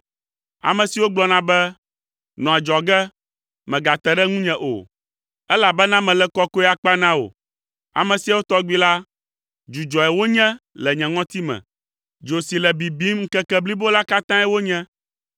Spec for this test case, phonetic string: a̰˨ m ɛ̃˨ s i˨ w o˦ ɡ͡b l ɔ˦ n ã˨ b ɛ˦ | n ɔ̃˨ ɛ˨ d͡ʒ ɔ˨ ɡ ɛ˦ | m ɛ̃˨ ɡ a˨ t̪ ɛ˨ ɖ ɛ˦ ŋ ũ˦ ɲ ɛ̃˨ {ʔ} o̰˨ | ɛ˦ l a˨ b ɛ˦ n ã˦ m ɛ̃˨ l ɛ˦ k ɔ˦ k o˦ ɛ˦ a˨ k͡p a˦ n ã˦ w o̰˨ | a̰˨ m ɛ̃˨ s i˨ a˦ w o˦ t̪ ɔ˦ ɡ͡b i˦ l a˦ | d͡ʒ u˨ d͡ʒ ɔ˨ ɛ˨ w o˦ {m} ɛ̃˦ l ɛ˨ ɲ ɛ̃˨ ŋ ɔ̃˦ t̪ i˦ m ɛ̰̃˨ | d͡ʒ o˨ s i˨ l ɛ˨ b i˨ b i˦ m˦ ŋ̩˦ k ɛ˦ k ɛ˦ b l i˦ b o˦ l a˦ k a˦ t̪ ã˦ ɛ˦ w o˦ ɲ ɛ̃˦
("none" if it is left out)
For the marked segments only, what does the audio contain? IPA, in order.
ʔ, ɲ

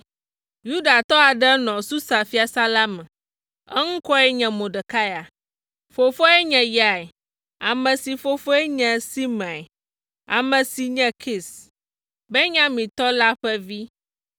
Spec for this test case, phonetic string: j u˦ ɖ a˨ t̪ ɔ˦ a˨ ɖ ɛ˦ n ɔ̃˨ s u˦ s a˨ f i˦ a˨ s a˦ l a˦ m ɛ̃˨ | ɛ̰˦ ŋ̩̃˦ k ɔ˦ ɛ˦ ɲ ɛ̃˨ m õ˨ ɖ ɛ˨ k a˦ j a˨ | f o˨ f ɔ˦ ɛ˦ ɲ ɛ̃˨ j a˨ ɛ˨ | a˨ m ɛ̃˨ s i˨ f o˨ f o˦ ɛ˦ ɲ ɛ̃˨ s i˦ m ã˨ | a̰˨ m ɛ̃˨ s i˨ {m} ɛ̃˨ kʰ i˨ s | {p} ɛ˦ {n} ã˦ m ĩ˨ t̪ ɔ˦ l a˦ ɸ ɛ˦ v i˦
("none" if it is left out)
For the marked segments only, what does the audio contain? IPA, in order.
ɲ, b, ɲ

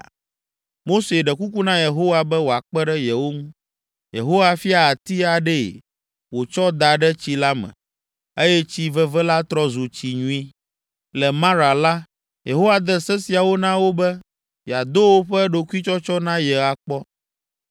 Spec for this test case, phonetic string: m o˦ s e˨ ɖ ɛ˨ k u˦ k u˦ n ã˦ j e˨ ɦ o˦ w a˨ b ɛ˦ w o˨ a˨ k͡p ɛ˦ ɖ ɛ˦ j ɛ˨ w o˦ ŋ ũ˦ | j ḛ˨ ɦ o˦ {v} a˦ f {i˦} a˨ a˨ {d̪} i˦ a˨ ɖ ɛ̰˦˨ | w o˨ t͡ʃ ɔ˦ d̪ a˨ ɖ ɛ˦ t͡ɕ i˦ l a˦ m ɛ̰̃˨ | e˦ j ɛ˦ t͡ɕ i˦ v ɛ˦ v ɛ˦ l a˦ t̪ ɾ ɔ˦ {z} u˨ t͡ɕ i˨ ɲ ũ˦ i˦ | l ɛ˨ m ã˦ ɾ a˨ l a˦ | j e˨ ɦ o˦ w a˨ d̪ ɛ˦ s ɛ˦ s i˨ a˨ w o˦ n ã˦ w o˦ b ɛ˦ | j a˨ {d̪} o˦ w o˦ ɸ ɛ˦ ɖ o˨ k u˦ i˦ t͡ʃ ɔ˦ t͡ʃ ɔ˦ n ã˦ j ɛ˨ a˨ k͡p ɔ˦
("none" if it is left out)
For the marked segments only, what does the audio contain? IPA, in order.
w, i˦, t̪, z, d̪

